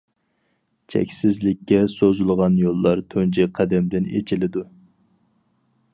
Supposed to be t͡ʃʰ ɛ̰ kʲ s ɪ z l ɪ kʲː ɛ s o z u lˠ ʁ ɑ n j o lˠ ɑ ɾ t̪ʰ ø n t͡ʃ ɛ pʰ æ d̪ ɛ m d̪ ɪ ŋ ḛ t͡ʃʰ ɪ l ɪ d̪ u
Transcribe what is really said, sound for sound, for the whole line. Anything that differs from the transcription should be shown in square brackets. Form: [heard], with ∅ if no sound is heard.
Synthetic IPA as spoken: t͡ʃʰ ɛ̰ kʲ s ɪ z l ɪ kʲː ɛ s o z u lˠ ʁ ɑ n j o [lˠː] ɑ ɾ t̪ʰ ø n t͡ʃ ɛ [qʰ] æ d̪ ɛ m d̪ ɪ [n] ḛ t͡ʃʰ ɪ l ɪ d̪ u